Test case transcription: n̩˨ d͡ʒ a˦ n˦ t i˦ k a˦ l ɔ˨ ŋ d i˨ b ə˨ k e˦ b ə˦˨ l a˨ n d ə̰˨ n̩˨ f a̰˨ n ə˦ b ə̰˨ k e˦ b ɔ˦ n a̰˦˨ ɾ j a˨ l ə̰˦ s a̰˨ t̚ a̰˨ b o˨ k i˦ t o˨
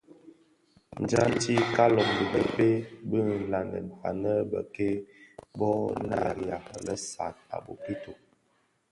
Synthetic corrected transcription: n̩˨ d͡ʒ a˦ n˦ t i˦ k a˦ l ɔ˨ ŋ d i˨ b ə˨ p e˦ b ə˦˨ l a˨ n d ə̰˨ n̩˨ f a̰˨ n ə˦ b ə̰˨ k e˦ b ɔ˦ n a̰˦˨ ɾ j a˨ l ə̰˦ s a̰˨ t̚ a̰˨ b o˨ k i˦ t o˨